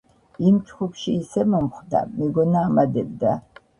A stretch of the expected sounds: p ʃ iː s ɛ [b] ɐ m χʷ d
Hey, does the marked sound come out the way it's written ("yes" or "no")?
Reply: no